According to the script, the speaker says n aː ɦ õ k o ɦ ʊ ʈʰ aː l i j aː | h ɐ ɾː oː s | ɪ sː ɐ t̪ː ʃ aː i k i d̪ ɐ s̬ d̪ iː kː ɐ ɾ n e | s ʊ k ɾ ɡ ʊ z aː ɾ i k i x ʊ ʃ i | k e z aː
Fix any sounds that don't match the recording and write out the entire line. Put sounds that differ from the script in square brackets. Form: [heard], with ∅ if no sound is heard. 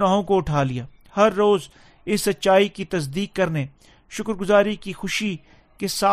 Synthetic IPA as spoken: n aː ɦ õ k o [∅] ʊ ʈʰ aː l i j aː | h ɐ ɾː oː [z] | ɪ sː ɐ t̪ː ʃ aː i k i [t̪] ɐ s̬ d̪ iː kː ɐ ɾ n e | [ʃ] ʊ k ɾ ɡ ʊ z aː ɾ i k i x ʊ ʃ i | k e [s] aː